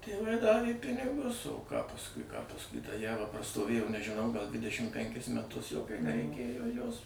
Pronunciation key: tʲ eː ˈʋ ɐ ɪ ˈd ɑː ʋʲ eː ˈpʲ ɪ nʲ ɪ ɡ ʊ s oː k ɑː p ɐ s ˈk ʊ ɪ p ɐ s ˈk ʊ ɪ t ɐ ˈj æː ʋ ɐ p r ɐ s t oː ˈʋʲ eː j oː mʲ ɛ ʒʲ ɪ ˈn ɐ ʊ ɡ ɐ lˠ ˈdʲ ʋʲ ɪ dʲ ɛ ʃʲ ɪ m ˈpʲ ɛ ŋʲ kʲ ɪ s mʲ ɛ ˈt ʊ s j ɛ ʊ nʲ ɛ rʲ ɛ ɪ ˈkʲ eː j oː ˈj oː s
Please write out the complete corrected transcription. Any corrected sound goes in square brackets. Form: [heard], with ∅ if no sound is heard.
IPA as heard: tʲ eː ˈʋ ɐ ɪ ˈd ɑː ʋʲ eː ˈpʲ ɪ nʲ ɪ ɡ ʊ s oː k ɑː p ɐ s ˈk ʊ ɪ p ɐ s ˈk ʊ ɪ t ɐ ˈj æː ʋ ɐ p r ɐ s t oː ˈʋʲ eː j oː [nʲ] ɛ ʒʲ ɪ ˈn ɐ ʊ ɡ ɐ lˠ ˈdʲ ʋʲ ɪ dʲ ɛ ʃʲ ɪ m ˈpʲ ɛ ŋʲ kʲ ɪ s mʲ ɛ ˈt ʊ s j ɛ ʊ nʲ ɛ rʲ ɛ ɪ ˈkʲ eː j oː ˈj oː s